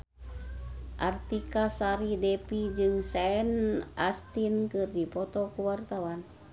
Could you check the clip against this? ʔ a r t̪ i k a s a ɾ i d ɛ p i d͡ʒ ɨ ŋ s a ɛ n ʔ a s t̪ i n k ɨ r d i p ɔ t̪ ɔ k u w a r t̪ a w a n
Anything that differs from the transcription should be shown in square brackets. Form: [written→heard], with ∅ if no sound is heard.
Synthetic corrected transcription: ʔ a r t̪ i k a s a ɾ i d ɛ p i d͡ʒ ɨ ŋ s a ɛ n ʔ a s t̪ i n k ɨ r d i p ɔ t̪ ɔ k u w a r t̪ a w a n